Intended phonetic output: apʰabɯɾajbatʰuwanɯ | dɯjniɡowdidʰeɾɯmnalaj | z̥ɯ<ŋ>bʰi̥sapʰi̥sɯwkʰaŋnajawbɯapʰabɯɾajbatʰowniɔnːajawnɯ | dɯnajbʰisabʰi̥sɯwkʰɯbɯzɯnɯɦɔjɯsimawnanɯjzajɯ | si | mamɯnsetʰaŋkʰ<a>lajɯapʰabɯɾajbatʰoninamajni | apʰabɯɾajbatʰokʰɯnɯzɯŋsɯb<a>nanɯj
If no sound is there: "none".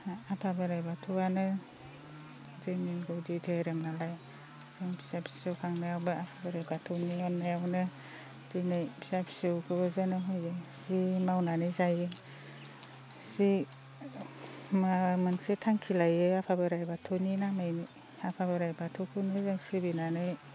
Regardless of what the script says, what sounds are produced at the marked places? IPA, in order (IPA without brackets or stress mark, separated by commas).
ŋ, i, i